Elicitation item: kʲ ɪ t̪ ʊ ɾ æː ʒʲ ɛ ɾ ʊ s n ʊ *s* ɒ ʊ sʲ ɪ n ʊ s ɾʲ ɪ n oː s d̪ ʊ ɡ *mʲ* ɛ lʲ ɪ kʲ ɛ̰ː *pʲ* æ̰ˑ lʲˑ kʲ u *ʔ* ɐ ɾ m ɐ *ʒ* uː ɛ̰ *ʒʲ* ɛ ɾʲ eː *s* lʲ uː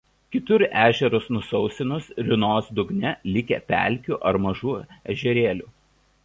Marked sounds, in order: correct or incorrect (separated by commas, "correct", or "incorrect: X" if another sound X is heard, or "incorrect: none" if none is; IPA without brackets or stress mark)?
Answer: correct, incorrect: nʲ, correct, correct, correct, correct, incorrect: none